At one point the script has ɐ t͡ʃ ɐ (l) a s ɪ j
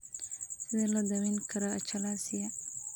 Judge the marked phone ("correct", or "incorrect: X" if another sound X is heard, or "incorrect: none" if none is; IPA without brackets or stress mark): correct